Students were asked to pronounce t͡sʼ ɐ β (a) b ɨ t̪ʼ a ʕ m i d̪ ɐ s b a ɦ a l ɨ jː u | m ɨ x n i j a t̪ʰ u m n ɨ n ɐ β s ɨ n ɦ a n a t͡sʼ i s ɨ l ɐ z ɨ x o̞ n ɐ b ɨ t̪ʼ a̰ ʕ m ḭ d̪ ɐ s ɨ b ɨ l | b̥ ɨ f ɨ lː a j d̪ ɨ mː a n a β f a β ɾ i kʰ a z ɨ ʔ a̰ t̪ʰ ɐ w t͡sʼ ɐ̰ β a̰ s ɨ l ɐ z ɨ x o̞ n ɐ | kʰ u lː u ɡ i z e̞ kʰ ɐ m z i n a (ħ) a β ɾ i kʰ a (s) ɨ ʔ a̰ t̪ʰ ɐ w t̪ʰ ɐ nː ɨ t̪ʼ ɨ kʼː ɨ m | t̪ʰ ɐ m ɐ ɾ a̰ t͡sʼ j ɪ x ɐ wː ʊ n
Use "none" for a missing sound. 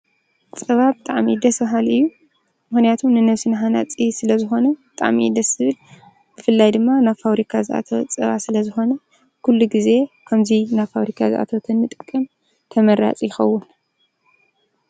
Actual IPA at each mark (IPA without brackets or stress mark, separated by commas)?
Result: a, f, z